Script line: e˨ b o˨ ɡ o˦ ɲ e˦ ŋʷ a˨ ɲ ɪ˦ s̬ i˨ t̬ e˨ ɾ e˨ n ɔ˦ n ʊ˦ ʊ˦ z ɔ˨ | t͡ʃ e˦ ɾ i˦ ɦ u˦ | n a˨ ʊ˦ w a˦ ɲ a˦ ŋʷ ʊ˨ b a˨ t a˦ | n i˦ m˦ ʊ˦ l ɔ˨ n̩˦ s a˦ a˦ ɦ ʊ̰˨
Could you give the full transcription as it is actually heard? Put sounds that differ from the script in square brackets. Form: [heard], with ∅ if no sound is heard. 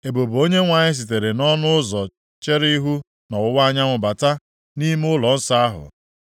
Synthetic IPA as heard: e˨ b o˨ [b] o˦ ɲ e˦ ŋʷ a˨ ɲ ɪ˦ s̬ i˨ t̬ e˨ ɾ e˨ n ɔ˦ n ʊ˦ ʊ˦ z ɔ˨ | t͡ʃ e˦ ɾ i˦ ɦ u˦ | n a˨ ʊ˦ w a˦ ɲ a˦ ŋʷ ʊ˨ b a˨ t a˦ | n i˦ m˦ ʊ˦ l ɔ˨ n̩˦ s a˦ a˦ ɦ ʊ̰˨